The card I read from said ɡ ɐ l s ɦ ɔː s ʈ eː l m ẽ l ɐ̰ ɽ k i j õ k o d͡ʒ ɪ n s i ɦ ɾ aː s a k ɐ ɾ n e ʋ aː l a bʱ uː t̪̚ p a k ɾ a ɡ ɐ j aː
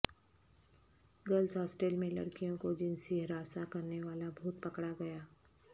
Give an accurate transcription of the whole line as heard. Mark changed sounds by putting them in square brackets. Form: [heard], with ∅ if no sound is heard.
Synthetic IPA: ɡ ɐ l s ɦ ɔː s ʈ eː l m ẽ l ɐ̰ ɽ k i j õ k o d͡ʒ ɪ n s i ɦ ɾ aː s a k ɐ ɾ n e ʋ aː l a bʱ uː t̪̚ p [ɐ] k [ɽ] a ɡ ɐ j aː